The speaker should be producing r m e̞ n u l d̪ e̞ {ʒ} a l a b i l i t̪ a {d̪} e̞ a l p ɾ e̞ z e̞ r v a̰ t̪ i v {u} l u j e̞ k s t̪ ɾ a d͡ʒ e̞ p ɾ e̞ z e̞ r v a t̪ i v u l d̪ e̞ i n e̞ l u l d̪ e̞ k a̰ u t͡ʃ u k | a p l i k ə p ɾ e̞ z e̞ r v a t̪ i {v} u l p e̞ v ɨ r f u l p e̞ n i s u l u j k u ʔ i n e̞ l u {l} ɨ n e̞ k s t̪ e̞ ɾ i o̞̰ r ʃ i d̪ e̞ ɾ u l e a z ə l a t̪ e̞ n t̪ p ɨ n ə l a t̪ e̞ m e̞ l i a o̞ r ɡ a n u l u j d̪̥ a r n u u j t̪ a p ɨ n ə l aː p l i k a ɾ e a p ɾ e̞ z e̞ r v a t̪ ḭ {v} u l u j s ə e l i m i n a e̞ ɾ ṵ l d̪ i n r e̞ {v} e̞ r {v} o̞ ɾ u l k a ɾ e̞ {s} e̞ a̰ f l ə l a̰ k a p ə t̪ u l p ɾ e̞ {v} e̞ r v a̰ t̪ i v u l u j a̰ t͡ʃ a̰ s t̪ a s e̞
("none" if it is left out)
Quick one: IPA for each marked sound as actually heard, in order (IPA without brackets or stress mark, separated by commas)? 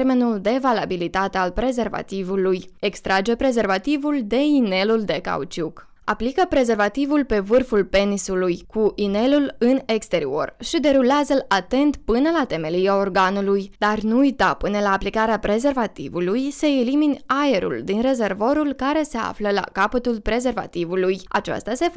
v, t̪, u, v, l, v, z, v, s, z